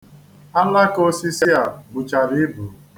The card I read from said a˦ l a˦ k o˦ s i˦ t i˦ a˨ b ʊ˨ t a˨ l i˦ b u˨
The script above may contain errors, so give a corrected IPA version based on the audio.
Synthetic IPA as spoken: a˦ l a˦ k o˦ s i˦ s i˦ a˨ b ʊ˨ t͡ʃ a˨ ɾ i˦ b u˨